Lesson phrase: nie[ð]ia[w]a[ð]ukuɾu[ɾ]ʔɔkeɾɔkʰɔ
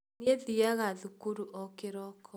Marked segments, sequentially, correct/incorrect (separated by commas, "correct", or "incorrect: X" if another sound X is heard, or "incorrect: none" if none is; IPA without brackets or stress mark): correct, incorrect: ɣ, correct, incorrect: none